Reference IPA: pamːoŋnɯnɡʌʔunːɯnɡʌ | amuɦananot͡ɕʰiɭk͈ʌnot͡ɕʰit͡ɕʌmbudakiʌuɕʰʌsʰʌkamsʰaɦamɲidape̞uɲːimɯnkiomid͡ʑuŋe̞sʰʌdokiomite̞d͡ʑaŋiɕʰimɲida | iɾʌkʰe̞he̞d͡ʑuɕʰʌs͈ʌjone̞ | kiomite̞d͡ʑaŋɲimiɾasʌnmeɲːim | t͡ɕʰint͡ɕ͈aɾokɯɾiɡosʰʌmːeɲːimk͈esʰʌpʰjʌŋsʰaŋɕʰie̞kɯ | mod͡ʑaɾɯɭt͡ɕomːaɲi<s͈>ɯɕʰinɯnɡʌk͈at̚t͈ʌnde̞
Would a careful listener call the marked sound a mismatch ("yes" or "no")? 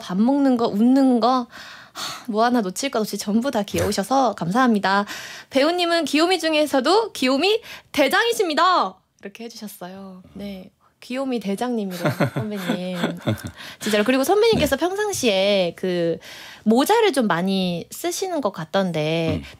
no